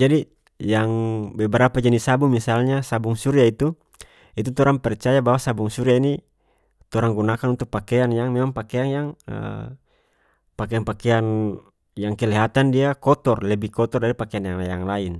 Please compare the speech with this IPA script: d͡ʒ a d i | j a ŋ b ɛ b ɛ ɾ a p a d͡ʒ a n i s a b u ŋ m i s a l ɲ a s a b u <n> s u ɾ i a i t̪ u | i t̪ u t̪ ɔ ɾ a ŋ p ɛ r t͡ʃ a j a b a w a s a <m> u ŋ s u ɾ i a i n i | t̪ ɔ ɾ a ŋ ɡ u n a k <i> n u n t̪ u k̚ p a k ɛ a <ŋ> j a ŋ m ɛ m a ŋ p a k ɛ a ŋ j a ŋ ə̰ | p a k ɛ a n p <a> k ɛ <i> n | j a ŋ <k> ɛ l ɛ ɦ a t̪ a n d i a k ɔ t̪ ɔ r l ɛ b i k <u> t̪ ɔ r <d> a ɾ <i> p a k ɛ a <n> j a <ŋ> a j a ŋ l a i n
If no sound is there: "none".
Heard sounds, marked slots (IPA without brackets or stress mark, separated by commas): ŋ, b, a, n, a, a, k, ɔ, d, i, n, ŋ